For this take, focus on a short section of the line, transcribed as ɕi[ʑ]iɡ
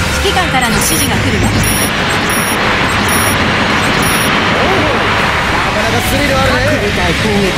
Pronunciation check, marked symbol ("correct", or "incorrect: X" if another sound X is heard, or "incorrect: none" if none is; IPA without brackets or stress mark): correct